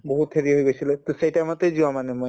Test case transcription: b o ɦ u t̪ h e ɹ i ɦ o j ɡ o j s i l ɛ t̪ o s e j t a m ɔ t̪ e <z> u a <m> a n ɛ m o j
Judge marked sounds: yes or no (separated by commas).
yes, yes